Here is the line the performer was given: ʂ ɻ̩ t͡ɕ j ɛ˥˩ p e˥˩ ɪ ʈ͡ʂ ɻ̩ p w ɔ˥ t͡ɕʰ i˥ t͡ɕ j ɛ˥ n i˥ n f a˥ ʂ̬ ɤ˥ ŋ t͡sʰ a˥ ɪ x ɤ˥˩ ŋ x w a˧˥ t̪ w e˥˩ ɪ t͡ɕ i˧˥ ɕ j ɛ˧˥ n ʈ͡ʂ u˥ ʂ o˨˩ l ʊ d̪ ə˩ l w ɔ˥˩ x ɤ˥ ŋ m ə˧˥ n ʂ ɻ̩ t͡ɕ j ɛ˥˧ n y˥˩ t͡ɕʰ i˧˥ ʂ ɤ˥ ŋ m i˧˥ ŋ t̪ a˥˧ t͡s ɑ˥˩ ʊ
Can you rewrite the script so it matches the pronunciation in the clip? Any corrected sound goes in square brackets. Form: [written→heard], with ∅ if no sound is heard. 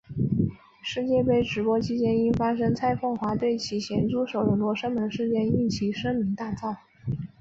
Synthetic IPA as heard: ʂ ɻ̩ t͡ɕ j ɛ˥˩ p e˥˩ ɪ ʈ͡ʂ ɻ̩ p w ɔ˥ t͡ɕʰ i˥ t͡ɕ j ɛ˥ n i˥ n f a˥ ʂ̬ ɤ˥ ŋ t͡sʰ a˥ ɪ [x→f] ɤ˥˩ ŋ x w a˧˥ t̪ w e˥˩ ɪ [t͡ɕ→t͡ɕʰ] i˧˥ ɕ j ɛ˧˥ n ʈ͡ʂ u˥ ʂ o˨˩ [l→∅] ʊ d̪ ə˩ l w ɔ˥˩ [x→ʂ] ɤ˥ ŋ m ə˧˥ n ʂ ɻ̩ t͡ɕ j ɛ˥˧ n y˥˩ t͡ɕʰ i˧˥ ʂ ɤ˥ ŋ m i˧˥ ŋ t̪ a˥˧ t͡s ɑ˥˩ ʊ